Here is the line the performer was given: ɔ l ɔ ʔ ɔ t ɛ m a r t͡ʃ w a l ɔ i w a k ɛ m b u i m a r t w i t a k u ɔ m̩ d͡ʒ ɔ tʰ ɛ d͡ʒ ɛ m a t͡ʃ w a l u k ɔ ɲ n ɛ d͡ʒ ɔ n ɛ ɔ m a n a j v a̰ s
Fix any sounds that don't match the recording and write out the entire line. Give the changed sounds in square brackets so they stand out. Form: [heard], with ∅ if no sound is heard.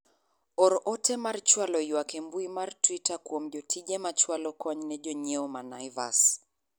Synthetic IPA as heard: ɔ [ɾ] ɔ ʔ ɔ t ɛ m a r t͡ʃ w a l ɔ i w a k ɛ m b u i m a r t w i t a k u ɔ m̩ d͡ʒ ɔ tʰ [i] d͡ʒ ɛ m a t͡ʃ w a l [ɔ] k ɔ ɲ n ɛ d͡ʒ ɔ [ɲ] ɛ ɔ m a n a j v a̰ s